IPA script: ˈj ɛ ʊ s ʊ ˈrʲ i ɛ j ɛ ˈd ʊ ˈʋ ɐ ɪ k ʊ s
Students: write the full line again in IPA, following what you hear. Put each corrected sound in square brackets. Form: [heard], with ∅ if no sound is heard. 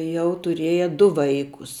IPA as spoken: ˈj ɛ ʊ [t] ʊ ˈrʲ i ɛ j ɛ ˈd ʊ ˈʋ ɐ ɪ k ʊ s